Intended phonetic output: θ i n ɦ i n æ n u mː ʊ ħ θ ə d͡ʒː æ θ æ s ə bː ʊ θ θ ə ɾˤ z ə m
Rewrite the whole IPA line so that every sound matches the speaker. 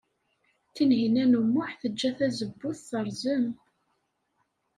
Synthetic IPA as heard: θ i n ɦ i n æ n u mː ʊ ħ θ ə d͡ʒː æ θ æ z ə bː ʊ θ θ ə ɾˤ z ə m